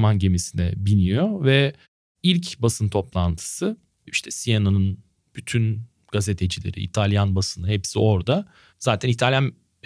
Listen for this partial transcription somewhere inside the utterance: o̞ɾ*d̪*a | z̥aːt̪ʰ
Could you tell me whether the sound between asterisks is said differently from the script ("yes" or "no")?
no